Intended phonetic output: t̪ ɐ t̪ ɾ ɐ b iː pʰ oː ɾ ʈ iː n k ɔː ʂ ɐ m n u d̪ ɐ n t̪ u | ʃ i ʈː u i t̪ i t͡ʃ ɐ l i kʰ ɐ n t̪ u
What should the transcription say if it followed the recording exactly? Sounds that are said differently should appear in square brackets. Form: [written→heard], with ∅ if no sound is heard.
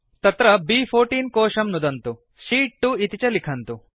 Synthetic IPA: t̪ ɐ t̪ ɾ ɐ b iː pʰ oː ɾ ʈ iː n k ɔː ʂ ɐ m n u d̪ ɐ n t̪ u | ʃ [i→iː] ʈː u i t̪ i t͡ʃ ɐ l i kʰ ɐ n t̪ u